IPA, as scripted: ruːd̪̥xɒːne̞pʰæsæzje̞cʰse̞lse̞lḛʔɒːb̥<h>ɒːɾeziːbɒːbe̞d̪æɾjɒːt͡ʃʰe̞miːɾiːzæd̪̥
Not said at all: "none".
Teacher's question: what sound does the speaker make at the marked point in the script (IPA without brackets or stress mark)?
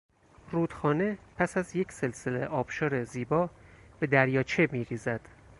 ʃ